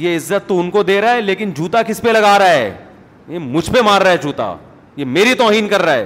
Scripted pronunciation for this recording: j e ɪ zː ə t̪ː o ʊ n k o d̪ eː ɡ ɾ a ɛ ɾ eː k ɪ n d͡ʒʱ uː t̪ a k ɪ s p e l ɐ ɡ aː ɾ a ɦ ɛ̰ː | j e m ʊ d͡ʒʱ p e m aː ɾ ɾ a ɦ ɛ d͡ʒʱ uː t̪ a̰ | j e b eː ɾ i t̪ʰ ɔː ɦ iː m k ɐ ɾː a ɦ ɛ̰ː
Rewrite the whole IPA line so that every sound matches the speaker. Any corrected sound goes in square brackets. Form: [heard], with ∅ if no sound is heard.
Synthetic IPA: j e ɪ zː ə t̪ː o ʊ n k o d̪ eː [∅] ɾ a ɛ [l] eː k ɪ n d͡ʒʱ uː t̪ a k ɪ s p e l ɐ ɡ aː ɾ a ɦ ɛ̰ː | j e m ʊ d͡ʒʱ p e m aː ɾ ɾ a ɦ ɛ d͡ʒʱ uː t̪ a̰ | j e [m] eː ɾ i [t̪] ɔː ɦ iː [n] k ɐ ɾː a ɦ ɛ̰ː